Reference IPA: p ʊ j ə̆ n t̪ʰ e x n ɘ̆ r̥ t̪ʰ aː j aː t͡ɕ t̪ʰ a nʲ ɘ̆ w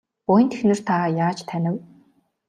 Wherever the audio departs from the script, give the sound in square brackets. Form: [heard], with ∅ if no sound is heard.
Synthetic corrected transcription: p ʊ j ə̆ n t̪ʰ e x n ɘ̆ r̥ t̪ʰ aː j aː t͡ɕ t̪ʰ [æ] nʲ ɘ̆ w